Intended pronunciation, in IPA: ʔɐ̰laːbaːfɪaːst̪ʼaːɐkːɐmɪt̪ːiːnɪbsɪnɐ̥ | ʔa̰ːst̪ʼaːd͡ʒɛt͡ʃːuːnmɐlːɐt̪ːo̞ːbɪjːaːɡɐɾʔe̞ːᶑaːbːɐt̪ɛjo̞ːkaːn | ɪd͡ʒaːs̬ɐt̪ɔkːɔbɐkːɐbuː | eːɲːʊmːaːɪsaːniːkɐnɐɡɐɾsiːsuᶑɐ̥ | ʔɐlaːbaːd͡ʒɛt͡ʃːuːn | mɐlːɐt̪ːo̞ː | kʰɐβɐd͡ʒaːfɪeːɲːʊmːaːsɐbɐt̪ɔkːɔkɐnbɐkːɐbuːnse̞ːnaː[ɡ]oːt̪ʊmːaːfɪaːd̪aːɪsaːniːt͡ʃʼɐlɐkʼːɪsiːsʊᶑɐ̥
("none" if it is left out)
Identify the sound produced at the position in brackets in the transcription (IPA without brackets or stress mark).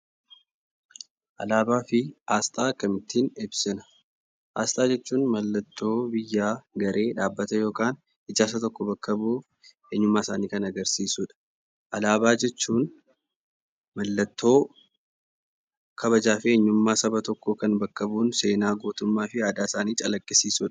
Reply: ɡ